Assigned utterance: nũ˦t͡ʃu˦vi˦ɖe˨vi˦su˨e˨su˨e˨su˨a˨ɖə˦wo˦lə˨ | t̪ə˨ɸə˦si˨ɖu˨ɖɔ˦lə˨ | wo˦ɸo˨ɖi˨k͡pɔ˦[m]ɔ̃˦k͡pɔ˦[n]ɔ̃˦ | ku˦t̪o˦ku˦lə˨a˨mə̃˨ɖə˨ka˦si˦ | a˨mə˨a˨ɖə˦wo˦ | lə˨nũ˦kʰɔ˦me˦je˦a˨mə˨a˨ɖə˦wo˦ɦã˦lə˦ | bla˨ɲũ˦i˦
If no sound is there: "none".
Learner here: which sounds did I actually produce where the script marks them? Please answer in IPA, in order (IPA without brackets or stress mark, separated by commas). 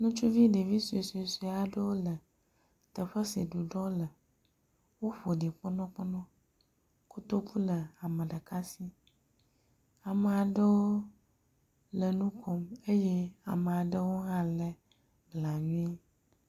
n, n